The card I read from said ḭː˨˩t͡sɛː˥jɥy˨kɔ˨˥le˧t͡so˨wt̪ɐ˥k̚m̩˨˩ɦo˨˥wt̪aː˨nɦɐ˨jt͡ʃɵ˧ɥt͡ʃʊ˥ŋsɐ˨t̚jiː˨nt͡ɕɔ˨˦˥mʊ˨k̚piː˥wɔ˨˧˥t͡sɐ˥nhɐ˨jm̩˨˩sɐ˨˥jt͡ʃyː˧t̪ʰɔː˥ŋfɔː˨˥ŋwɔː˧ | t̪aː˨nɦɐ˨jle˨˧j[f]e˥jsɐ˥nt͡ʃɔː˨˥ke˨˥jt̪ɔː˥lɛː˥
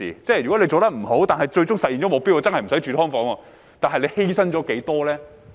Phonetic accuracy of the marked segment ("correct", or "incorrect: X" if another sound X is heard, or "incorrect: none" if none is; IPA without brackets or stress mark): incorrect: h